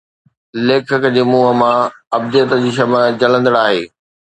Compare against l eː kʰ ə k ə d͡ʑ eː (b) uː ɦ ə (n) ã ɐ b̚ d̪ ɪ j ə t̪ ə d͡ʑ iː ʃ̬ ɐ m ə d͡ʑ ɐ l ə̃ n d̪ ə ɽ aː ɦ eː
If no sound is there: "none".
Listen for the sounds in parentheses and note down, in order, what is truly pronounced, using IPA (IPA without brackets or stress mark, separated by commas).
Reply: m, m